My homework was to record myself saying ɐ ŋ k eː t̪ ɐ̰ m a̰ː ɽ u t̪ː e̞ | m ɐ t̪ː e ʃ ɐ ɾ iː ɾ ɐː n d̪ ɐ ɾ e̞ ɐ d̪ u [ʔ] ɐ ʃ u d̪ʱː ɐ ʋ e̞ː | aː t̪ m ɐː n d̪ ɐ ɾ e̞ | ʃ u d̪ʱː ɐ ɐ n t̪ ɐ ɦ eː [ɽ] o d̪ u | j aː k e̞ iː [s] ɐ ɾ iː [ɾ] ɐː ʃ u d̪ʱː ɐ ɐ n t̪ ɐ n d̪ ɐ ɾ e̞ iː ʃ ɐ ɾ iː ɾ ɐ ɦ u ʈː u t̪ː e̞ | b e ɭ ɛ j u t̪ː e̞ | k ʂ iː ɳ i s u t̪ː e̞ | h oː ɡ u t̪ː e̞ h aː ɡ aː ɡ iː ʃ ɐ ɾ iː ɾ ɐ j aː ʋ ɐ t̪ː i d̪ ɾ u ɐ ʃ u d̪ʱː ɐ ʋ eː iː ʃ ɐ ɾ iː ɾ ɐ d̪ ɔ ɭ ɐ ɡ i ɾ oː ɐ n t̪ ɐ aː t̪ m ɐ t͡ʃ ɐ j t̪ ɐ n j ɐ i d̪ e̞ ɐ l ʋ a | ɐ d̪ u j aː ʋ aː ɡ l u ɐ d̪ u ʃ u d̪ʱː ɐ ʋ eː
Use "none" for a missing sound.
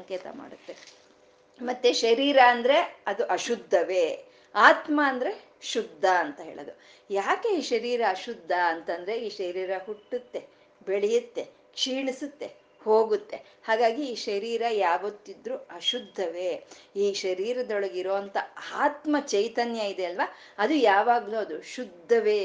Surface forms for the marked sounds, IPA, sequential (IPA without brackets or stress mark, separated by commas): ʔ, ɭ, ʃ, ɾ